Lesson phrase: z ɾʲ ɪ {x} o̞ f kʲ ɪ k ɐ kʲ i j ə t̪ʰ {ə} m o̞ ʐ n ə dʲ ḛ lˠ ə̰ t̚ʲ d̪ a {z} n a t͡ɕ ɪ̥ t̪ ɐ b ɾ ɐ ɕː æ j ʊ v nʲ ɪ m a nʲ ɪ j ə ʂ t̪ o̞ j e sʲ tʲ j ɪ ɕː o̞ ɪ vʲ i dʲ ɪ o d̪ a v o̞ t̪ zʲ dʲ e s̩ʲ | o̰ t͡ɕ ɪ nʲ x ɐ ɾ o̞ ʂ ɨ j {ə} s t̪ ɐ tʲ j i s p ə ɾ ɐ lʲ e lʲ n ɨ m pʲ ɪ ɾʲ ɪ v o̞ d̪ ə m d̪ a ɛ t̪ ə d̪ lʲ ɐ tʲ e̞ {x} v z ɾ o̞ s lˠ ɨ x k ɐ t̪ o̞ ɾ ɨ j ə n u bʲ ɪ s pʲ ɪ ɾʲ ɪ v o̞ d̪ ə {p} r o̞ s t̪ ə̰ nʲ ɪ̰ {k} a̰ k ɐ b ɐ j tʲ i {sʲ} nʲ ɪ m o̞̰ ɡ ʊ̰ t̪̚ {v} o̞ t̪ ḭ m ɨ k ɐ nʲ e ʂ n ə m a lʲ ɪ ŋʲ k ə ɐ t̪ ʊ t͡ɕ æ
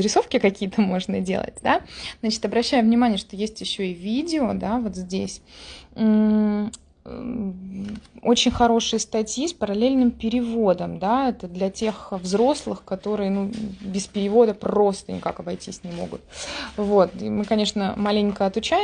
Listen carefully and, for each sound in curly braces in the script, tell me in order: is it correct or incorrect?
incorrect: s, correct, correct, correct, correct, correct, correct, correct, correct

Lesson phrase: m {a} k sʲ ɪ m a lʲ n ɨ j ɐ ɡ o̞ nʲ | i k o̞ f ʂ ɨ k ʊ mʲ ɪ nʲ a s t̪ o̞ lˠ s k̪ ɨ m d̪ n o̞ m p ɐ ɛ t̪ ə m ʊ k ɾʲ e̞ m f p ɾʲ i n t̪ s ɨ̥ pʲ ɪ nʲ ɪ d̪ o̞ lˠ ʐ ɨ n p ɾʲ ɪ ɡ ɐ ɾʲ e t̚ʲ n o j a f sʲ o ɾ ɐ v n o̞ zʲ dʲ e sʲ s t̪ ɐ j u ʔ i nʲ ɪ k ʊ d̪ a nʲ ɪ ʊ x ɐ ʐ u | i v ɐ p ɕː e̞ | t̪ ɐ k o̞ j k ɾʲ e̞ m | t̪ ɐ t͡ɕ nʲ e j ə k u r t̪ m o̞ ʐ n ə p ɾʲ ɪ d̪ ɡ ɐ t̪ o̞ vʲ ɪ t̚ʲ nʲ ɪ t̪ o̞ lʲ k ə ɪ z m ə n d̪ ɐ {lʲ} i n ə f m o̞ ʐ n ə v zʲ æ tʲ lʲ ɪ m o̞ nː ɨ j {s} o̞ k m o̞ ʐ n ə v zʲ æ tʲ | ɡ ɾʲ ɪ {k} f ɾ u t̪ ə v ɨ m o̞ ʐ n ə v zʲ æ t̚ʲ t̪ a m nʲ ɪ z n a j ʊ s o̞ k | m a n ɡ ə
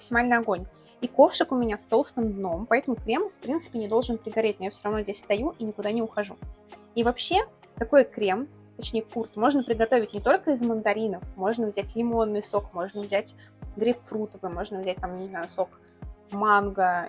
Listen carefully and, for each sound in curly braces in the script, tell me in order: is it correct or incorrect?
incorrect: ə, incorrect: ɾʲ, correct, incorrect: p

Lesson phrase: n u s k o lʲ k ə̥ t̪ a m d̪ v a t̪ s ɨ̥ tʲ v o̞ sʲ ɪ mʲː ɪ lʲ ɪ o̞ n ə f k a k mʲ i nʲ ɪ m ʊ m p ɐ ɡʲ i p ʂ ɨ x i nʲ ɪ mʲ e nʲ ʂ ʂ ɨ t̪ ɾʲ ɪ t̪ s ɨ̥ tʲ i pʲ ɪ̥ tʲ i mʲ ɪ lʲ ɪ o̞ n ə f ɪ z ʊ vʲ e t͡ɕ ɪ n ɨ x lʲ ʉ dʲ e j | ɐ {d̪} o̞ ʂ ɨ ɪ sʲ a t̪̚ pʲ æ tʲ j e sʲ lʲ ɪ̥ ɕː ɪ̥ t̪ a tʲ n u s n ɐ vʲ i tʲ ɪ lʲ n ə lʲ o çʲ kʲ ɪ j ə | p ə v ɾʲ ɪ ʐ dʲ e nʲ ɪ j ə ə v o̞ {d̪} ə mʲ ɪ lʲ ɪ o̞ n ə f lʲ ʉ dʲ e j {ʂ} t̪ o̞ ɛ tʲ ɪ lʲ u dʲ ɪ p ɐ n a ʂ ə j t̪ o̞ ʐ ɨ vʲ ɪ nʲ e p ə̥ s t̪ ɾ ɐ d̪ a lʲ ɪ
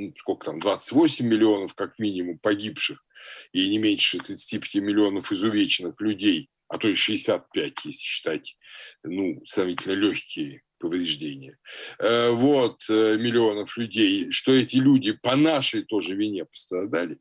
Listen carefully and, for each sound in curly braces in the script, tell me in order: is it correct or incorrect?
incorrect: t̪, incorrect: t̪, correct

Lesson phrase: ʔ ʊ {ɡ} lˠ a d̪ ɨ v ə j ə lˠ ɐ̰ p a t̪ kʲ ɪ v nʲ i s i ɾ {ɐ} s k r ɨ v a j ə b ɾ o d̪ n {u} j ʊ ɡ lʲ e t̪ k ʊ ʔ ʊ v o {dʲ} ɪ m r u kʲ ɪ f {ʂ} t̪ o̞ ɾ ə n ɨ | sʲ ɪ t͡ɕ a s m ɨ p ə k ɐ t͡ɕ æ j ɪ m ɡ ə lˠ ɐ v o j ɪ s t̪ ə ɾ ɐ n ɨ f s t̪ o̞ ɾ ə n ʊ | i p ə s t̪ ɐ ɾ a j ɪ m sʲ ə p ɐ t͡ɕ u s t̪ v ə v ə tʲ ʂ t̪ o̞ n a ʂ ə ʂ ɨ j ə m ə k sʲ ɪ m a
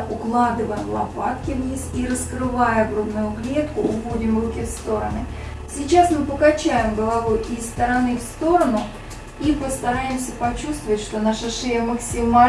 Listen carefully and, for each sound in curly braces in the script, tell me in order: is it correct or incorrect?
incorrect: k, incorrect: ə, incorrect: ʊ, correct, incorrect: s

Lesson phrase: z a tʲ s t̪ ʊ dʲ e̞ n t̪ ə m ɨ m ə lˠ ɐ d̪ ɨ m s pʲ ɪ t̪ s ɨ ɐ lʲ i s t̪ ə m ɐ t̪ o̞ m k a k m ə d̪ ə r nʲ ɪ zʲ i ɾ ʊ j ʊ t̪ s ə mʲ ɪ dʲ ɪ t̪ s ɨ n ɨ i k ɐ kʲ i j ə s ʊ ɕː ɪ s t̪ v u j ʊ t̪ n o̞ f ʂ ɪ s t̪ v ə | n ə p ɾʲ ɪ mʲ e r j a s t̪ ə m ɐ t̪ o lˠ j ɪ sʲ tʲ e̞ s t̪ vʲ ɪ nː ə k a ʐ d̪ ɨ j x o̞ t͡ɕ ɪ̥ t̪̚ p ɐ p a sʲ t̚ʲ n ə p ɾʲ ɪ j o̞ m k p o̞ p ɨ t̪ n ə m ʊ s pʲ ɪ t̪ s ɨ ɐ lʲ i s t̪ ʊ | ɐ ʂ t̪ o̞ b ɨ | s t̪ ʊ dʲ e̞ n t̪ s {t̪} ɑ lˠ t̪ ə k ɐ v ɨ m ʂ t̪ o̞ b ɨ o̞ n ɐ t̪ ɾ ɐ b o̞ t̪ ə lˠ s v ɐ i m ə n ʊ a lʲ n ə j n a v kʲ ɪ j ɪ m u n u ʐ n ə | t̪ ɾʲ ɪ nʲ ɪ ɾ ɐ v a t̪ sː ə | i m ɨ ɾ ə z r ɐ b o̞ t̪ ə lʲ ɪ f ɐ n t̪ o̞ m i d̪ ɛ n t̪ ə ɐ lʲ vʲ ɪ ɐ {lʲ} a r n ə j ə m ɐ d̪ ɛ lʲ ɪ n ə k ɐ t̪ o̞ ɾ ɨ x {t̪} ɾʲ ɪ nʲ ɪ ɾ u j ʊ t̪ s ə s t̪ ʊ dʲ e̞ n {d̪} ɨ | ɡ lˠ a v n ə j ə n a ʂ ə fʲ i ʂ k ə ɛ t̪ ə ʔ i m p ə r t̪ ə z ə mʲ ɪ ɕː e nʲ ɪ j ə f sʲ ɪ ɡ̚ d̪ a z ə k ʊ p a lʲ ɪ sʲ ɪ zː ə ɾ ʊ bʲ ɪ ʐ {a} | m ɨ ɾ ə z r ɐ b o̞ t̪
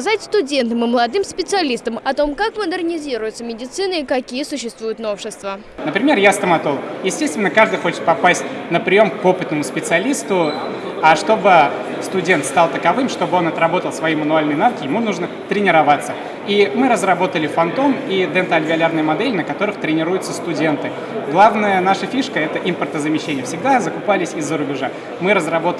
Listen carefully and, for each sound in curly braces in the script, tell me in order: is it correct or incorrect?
correct, correct, correct, incorrect: t̪, correct

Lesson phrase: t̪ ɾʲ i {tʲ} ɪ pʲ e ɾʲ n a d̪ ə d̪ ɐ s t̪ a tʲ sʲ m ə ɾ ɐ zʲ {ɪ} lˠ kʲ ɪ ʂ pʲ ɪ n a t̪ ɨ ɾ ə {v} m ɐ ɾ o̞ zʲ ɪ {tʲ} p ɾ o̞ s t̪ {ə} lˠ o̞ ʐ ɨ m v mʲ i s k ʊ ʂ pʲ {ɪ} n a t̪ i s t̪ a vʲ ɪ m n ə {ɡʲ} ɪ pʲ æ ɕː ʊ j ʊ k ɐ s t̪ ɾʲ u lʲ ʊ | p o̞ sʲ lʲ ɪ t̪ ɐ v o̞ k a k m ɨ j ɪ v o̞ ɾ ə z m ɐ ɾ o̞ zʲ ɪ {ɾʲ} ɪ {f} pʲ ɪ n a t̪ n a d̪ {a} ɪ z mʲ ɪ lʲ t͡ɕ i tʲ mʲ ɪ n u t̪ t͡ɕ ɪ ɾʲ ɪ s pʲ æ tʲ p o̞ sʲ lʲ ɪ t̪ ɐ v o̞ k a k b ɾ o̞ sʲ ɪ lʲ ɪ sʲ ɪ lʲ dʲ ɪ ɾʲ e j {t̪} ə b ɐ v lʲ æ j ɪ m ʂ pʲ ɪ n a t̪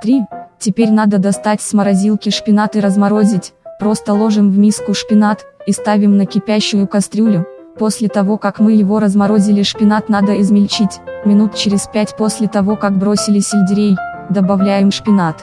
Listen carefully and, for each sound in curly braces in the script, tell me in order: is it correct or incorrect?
correct, incorrect: i, incorrect: z, correct, correct, correct, incorrect: kʲ, incorrect: lʲ, incorrect: ʂ, incorrect: ə, incorrect: d̪

